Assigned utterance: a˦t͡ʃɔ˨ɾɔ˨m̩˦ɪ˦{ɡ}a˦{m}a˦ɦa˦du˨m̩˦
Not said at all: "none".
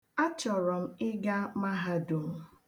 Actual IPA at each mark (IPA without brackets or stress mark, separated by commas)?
ɡ, m